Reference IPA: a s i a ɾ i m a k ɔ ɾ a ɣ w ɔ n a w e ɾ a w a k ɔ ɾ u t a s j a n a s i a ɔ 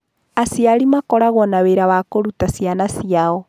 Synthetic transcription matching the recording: a s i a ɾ i m a k ɔ ɾ a ɣ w ɔ n a w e ɾ a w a k o ɾ u t a s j a n a s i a ɔ